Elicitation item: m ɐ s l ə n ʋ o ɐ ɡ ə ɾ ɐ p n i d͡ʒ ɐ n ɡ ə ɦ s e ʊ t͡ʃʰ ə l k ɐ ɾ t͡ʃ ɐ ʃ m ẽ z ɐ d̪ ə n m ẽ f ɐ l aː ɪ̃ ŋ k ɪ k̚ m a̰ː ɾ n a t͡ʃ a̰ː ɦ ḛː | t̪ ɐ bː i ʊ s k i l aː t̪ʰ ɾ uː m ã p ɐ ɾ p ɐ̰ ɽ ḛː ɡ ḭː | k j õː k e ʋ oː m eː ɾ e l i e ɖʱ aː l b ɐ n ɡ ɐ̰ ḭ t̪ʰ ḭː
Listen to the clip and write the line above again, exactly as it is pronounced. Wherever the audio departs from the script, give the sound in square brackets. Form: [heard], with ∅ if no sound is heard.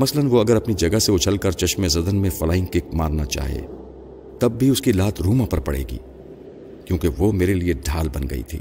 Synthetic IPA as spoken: m ɐ s l ə n ʋ o ɐ ɡ ə ɾ ɐ p n i d͡ʒ ɐ [∅] ɡ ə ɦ s e ʊ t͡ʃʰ ə l k ɐ ɾ t͡ʃ ɐ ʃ m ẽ z ɐ d̪ ə n m ẽ f ɐ l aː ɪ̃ ŋ k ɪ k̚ m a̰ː ɾ n a t͡ʃ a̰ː ɦ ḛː | t̪ ɐ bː i ʊ s k i l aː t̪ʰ ɾ uː m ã p ɐ ɾ p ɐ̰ ɽ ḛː ɡ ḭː | k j õː k e ʋ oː m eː ɾ e l i e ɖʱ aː l b ɐ n ɡ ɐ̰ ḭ t̪ʰ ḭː